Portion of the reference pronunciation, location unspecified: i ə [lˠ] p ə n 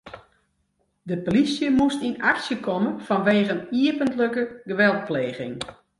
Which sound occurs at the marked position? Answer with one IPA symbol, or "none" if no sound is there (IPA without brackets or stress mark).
none